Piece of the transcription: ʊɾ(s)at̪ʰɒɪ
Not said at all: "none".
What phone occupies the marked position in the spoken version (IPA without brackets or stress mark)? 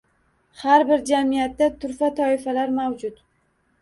f